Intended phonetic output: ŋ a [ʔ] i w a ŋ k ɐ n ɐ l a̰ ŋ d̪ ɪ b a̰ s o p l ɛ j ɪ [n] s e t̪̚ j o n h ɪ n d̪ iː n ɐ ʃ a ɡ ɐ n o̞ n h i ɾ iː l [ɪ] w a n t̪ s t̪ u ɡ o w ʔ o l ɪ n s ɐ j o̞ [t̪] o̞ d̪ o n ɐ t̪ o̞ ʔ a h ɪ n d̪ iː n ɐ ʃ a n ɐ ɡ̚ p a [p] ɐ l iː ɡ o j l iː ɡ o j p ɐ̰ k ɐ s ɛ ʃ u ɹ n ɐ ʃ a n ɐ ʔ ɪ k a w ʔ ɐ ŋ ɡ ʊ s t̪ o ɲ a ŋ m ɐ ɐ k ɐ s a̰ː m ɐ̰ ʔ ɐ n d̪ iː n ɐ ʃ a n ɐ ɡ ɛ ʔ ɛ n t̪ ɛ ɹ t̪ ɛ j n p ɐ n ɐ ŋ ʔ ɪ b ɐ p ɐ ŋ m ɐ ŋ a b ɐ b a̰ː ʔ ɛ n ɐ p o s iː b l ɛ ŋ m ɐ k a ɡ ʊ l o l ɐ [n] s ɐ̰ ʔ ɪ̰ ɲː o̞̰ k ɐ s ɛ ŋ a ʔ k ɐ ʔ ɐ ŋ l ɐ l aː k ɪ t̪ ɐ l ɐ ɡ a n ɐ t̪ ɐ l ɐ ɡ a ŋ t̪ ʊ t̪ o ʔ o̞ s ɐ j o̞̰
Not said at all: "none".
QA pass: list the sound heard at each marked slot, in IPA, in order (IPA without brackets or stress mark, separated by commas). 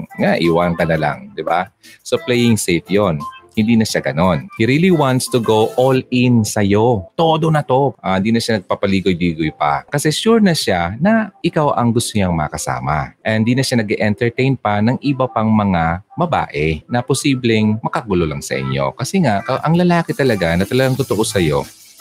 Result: ʔ, ŋ, i, t̪, p, ŋ